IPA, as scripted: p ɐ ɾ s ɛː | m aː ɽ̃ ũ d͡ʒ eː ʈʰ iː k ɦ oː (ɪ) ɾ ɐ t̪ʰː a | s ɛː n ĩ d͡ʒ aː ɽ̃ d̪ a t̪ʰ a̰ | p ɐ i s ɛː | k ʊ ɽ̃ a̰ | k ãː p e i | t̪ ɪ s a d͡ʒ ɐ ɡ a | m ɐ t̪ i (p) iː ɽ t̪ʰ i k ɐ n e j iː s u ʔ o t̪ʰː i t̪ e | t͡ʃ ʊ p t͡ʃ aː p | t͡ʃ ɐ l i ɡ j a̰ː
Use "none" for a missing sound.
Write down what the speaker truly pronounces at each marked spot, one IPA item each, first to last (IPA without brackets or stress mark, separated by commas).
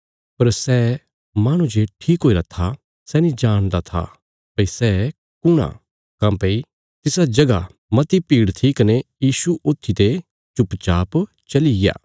i, p